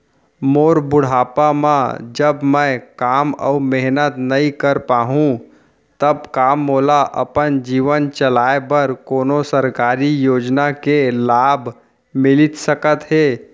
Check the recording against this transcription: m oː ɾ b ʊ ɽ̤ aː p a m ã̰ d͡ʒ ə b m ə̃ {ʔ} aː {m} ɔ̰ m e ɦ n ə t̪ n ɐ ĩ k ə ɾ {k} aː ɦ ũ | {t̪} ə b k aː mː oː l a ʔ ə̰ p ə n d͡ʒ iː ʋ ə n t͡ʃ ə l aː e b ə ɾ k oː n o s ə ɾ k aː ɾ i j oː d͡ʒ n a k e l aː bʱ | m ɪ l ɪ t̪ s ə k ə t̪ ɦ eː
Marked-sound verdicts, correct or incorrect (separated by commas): incorrect, correct, incorrect, correct